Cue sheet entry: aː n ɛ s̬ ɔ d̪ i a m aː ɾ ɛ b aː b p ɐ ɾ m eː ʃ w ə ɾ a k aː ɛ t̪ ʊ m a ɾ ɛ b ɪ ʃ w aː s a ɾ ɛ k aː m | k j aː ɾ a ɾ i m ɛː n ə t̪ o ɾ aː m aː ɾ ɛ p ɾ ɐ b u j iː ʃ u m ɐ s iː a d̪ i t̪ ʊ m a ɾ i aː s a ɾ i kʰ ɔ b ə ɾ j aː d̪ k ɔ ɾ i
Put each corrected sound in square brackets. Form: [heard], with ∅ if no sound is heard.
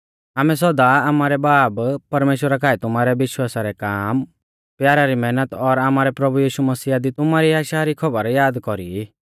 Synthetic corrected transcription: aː [m] ɛ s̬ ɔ d̪ [a] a m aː ɾ ɛ b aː b p ɐ ɾ m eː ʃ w ə ɾ a k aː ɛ t̪ ʊ m a ɾ ɛ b ɪ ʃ w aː s a ɾ ɛ k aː m | [p] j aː ɾ a ɾ i m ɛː n ə t̪ [ɔ] ɾ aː m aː ɾ ɛ p ɾ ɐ b u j iː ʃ u m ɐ s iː a d̪ i t̪ ʊ m a ɾ i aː [ʃ] a ɾ i kʰ ɔ b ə ɾ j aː d̪ k ɔ ɾ i